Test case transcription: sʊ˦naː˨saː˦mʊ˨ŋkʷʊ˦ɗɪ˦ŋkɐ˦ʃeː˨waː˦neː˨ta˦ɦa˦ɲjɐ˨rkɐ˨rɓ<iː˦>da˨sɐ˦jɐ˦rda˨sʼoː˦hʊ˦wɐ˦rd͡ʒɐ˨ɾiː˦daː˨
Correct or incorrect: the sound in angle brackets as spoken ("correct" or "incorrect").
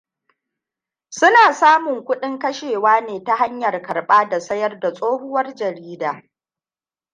incorrect